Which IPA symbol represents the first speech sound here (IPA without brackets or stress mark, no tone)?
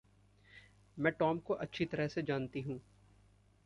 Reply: m